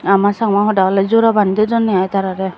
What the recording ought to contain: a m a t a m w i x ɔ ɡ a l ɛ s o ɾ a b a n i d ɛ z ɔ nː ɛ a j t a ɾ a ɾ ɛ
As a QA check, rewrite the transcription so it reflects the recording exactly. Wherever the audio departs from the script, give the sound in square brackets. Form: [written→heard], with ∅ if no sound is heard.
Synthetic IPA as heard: a m a [t→s] a [m→ŋ] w [i→a] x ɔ [ɡ→d] a l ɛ [s→z] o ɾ a b a n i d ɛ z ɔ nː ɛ a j t a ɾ a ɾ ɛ